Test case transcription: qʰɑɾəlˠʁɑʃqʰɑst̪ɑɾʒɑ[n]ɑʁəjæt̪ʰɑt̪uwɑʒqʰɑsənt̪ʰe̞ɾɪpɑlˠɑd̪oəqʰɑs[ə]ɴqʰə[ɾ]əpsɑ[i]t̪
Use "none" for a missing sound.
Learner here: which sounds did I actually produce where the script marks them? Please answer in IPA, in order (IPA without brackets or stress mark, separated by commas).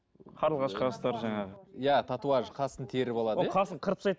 ɴ, ə, ɾ, j